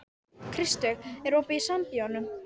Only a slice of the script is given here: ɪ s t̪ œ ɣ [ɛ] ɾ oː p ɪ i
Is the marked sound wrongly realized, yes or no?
no